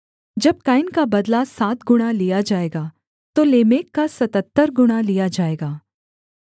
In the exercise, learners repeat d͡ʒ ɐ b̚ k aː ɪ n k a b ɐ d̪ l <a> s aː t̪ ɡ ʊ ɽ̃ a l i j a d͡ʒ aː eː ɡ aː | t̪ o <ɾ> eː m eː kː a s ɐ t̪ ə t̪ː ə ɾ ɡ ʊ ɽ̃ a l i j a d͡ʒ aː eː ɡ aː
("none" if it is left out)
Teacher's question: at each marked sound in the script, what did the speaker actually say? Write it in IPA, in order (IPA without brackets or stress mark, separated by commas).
a, l